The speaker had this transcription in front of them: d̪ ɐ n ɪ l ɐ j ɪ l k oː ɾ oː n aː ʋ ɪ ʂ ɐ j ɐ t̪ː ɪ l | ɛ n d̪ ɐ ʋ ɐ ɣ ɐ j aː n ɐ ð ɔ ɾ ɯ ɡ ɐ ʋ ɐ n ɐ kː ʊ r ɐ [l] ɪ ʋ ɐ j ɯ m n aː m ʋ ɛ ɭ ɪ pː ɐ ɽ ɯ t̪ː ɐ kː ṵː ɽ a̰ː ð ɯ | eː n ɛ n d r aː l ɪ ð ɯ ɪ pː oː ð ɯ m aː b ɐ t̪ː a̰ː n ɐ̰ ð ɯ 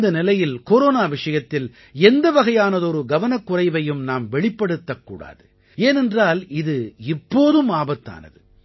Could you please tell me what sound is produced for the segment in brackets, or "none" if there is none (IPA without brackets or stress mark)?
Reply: none